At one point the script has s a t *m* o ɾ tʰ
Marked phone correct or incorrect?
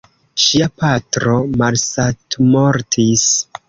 correct